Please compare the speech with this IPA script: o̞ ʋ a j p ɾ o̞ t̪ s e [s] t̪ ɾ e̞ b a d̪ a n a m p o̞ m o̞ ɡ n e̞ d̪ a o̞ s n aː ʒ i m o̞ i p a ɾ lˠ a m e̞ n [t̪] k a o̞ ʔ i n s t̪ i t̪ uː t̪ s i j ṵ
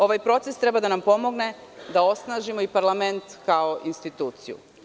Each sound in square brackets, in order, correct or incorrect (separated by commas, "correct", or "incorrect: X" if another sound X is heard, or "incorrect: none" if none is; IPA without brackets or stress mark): correct, correct